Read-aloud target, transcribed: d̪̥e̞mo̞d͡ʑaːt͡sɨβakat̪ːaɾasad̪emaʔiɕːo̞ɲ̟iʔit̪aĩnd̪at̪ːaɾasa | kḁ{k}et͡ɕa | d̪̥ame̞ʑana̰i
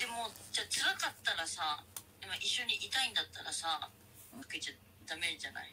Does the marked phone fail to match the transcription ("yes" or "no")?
no